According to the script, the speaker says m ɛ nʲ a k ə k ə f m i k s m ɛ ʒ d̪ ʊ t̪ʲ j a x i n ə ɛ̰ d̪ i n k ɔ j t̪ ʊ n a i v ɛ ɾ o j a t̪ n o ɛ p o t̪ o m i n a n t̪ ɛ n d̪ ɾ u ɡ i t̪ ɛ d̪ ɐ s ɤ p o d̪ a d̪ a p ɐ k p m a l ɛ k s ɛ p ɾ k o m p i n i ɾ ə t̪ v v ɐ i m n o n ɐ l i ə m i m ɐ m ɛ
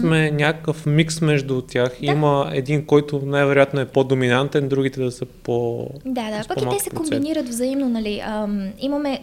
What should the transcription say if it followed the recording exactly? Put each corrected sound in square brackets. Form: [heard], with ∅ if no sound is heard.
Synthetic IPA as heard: m ɛ nʲ a k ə k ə f m i k s m ɛ ʒ d̪ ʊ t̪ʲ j a x i [m] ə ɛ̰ d̪ i n k ɔ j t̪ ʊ n a [j] v ɛ ɾ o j a t̪ n o ɛ p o [d̪] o m i n a n t̪ ɛ n d̪ ɾ u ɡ i t̪ ɛ d̪ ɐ s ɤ p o d̪ a d̪ a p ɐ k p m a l ɛ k s ɛ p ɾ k o m [b] i n i ɾ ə t̪ v [z] ɐ i m n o n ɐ l i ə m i m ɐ m ɛ